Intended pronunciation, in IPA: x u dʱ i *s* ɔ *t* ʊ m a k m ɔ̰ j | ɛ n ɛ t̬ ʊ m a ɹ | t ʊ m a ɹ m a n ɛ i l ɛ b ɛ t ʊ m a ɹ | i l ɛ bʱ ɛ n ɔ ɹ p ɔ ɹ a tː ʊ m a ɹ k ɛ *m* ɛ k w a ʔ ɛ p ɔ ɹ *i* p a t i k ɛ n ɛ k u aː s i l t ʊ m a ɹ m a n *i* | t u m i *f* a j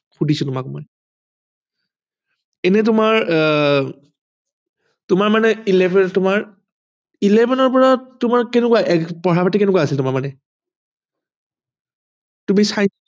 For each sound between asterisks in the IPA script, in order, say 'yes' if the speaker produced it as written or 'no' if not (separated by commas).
yes, yes, no, no, no, no